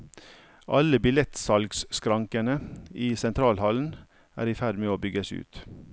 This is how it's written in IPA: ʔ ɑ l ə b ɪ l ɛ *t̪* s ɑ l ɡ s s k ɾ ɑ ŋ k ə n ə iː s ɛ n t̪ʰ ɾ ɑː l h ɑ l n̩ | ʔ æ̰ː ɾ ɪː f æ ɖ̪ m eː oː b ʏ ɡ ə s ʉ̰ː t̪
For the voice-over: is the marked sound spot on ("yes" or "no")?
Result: yes